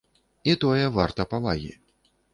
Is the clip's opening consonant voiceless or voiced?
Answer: voiceless